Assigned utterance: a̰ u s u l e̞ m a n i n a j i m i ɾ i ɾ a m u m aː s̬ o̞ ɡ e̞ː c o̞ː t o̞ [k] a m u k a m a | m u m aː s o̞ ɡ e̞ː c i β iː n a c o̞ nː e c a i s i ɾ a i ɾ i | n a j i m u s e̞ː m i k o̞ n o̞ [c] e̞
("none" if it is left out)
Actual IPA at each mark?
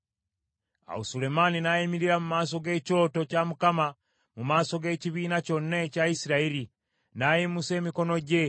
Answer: c, ɟ

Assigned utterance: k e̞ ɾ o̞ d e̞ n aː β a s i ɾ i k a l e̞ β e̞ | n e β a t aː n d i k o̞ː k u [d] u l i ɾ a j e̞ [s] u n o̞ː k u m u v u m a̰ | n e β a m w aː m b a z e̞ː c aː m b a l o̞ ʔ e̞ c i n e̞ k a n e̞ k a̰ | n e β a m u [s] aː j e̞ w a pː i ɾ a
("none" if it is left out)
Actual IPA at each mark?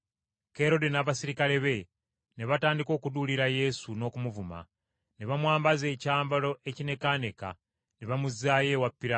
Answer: d, s, z

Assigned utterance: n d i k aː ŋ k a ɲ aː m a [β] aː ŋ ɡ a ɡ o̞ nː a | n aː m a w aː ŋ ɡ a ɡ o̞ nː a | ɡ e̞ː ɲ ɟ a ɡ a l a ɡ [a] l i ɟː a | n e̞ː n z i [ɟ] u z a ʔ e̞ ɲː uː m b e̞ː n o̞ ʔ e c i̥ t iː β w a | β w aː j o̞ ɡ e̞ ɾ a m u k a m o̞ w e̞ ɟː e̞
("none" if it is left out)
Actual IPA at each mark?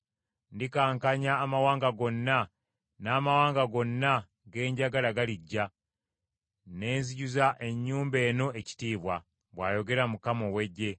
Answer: w, a, ɟ

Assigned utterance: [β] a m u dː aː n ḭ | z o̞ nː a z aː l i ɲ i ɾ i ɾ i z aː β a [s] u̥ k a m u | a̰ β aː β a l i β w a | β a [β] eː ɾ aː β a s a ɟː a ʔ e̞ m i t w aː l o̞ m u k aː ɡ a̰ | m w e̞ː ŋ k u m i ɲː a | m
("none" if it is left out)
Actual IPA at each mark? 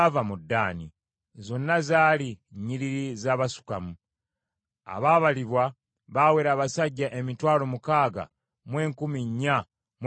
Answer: v, s, w

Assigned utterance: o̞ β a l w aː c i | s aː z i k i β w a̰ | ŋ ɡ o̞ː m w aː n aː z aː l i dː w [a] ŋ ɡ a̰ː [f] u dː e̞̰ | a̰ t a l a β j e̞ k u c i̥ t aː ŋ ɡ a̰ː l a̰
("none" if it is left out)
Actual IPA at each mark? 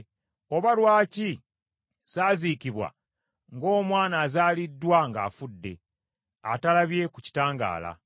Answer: a, f

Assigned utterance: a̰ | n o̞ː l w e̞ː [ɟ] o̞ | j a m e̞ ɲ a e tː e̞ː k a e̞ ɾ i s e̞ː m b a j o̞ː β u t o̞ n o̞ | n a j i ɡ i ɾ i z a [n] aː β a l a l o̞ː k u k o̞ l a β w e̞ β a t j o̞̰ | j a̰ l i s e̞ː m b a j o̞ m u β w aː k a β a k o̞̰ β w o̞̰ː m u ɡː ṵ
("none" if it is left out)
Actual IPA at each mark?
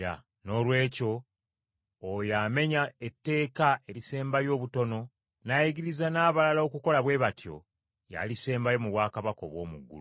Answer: c, n

